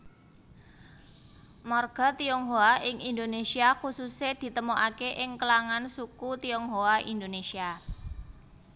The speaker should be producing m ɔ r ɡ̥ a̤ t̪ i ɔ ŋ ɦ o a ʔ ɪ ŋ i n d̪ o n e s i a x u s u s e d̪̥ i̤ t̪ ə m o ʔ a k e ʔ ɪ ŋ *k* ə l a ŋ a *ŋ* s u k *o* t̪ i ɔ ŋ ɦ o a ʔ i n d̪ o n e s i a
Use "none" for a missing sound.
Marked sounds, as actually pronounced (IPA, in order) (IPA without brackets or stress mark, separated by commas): k, n, u